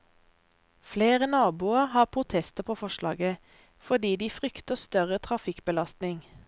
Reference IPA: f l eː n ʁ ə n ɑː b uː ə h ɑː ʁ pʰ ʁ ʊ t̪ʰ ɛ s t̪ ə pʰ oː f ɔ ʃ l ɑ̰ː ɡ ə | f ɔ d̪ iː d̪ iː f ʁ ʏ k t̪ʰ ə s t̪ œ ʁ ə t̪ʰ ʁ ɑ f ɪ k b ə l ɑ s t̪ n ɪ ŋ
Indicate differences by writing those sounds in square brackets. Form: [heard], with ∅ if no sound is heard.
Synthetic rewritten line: f l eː [∅] ʁ ə n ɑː b uː ə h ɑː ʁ pʰ ʁ ʊ t̪ʰ ɛ s t̪ ə pʰ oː f ɔ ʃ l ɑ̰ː ɡ ə | f ɔ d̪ iː d̪ iː f ʁ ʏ k [t̪] ə s t̪ œ ʁ ə t̪ʰ ʁ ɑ f ɪ k b ə l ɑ s t̪ n ɪ ŋ